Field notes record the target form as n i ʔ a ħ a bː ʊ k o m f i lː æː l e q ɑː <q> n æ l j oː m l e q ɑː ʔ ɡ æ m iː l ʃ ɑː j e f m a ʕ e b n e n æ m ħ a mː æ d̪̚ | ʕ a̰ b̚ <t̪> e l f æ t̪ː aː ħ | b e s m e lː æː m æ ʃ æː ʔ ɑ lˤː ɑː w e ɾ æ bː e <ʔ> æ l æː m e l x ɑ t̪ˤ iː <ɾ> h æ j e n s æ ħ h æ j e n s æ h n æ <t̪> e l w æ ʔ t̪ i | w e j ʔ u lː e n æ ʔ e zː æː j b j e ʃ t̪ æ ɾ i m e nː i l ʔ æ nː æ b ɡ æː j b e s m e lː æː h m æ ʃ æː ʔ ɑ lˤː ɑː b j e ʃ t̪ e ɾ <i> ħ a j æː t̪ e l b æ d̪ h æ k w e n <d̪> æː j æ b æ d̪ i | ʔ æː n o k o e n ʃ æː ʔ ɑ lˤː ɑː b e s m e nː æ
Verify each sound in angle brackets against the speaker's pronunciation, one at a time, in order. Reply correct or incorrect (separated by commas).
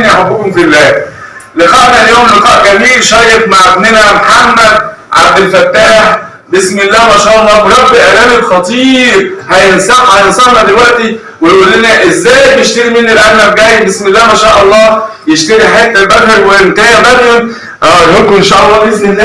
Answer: incorrect, incorrect, correct, correct, incorrect, correct, incorrect